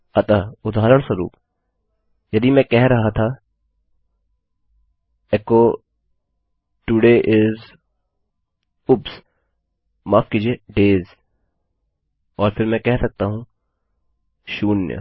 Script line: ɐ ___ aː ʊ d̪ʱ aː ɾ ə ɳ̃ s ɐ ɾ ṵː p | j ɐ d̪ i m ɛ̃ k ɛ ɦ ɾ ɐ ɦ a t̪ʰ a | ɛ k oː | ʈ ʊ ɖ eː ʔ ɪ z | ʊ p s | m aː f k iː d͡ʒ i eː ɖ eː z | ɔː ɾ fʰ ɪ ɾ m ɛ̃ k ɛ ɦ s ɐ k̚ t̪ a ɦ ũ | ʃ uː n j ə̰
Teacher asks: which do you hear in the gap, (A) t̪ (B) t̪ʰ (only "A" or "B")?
A